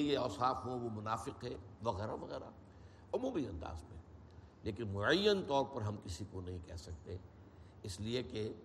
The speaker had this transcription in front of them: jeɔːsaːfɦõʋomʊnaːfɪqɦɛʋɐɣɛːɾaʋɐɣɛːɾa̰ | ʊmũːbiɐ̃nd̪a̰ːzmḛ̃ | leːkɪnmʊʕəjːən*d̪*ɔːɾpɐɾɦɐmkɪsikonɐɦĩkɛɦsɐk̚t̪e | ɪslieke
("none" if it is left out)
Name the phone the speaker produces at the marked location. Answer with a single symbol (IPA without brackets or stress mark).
t̪